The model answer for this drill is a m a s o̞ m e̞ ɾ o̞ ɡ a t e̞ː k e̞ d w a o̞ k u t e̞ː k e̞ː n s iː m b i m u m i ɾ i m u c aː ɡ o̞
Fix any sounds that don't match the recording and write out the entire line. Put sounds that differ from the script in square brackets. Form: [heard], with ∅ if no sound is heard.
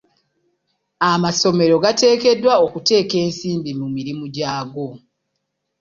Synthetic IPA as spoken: a m a s o̞ m e̞ ɾ o̞ ɡ a t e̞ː k e̞ d w a o̞ k u t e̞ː k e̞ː n s iː m b i m u m i ɾ i m u [ɟ] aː ɡ o̞